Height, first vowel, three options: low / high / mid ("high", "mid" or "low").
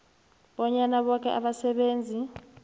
mid